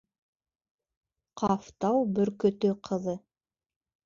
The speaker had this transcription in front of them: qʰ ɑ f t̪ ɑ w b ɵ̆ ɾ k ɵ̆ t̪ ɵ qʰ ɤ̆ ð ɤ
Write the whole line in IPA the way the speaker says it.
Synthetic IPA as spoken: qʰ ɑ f t̪ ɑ w b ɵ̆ ɾ k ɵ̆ t̪ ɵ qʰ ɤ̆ ð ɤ